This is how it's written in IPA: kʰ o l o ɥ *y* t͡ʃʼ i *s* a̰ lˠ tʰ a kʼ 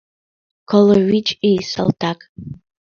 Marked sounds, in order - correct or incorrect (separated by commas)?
incorrect, correct